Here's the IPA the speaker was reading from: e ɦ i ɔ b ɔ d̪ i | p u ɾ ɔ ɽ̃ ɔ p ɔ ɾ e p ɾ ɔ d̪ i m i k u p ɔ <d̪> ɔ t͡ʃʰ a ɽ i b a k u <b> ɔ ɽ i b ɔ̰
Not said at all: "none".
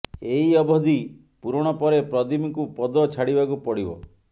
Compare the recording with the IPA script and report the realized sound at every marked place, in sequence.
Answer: d̪, p

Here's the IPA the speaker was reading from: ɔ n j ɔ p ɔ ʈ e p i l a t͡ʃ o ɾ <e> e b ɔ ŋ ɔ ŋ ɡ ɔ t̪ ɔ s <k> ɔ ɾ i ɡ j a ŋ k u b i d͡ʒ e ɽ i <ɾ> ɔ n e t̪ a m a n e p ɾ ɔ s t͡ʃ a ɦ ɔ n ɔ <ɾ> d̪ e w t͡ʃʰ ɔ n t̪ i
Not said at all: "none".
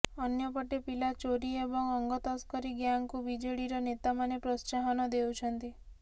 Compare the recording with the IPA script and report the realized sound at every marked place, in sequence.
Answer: i, k, ɾ, none

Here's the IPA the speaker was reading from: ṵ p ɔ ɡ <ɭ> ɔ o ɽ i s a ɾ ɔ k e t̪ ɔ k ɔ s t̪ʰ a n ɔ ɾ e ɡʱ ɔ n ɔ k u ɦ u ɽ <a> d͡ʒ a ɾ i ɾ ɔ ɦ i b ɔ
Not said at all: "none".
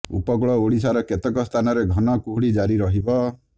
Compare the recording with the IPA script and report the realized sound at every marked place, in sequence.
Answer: ɭ, i

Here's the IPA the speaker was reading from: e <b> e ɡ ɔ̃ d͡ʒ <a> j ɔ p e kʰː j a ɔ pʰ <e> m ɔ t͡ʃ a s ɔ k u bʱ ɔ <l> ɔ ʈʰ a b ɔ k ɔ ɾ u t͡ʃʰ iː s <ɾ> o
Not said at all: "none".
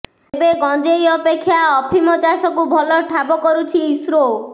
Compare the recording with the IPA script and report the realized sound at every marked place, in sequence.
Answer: b, e, i, l, ɾ

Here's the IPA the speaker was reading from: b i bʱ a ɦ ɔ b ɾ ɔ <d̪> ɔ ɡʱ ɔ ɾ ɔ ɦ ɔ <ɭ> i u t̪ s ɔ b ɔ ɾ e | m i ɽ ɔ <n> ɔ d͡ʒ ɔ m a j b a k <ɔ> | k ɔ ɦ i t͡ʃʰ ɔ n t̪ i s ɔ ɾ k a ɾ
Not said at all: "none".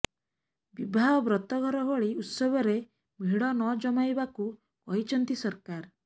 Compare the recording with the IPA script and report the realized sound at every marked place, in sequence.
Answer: t̪, ɭ, n, u

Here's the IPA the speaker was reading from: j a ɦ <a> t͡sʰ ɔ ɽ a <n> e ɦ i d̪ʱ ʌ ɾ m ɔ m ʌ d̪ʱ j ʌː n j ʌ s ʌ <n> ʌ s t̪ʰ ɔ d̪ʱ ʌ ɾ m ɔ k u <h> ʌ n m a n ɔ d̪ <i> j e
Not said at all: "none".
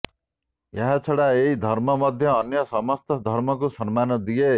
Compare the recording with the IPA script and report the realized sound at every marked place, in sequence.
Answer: a, none, m, s, i

